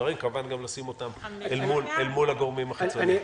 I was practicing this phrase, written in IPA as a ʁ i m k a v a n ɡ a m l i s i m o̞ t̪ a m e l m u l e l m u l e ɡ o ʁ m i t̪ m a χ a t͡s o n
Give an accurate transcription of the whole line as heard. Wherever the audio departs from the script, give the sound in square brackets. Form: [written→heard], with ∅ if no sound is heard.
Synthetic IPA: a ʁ i m k a v a n ɡ a m l [i→a] s i m o̞ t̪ a m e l m u l e l m u l [e→a] ɡ o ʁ m i [t̪→∅] m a χ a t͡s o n